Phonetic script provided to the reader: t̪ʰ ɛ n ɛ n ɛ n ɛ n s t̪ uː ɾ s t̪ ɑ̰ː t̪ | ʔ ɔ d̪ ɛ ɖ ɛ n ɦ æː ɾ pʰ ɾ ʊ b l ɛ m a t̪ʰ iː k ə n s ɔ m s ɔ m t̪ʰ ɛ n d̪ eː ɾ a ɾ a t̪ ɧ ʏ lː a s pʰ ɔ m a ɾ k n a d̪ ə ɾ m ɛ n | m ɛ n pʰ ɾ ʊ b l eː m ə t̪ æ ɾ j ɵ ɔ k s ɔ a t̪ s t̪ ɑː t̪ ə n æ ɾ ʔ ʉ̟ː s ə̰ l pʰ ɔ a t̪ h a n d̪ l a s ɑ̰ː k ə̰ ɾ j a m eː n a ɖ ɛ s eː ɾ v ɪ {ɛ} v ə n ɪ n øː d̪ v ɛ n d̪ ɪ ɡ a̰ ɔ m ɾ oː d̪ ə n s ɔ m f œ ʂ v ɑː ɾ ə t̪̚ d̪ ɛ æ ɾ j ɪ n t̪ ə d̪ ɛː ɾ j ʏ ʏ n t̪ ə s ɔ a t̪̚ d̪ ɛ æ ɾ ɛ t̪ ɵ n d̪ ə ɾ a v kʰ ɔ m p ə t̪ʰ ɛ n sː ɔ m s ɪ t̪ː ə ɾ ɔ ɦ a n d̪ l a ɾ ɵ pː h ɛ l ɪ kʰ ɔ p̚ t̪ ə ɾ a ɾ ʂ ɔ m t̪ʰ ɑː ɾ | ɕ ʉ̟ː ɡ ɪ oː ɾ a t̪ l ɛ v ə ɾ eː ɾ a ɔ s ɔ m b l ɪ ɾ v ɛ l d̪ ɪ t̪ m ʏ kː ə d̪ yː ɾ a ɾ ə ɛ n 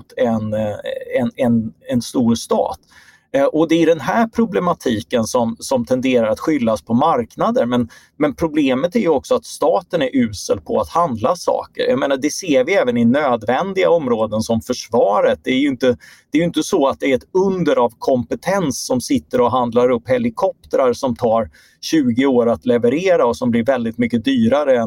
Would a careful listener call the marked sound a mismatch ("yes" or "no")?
yes